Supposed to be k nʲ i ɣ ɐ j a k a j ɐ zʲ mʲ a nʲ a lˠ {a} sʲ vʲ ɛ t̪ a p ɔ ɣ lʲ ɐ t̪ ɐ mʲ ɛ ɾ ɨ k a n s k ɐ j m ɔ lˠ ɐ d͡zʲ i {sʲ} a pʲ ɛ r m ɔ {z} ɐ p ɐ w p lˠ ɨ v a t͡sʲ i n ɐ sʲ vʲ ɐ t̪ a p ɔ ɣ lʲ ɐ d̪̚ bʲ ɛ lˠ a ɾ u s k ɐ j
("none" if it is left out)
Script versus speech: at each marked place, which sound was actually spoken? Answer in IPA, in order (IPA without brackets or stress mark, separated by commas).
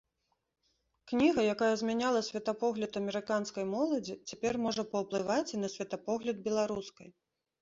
ɐ, t͡sʲ, ʐ